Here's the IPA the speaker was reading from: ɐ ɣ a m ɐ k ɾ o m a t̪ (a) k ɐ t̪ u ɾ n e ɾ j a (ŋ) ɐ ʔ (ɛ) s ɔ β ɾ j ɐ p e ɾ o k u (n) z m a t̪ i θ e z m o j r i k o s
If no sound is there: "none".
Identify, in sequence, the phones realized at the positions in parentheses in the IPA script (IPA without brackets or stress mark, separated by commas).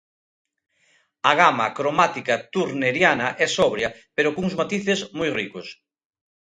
i, n, ɛ, ŋ